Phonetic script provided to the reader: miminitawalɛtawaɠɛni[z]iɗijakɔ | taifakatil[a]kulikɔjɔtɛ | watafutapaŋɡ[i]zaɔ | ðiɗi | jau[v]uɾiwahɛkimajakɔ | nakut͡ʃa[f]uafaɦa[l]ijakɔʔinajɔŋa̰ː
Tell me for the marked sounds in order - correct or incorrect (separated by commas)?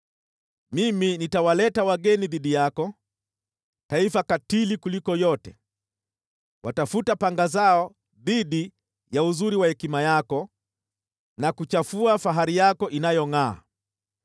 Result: incorrect, incorrect, incorrect, incorrect, correct, incorrect